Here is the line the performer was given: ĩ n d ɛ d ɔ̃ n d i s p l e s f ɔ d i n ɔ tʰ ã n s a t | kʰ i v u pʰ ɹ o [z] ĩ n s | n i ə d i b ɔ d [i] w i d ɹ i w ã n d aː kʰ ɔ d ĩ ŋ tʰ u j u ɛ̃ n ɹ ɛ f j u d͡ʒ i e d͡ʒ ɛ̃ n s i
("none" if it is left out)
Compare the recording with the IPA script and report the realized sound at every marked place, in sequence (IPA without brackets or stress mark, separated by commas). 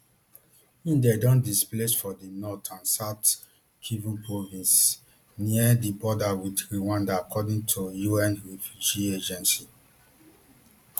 v, a